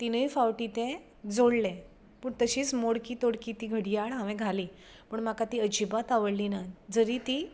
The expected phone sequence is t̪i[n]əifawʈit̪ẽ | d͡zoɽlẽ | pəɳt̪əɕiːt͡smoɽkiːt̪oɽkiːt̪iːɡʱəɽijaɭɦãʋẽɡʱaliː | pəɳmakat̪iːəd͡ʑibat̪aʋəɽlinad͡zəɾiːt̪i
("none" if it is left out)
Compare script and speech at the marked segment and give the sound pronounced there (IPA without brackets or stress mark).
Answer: n